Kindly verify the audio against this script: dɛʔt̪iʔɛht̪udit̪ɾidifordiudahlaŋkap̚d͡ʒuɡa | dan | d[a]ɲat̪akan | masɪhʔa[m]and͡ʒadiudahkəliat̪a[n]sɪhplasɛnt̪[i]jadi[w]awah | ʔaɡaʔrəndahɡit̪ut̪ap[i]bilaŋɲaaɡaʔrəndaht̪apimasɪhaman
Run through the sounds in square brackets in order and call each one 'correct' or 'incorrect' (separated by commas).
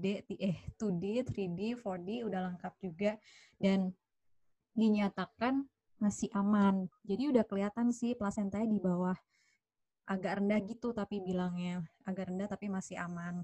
incorrect, correct, correct, incorrect, incorrect, correct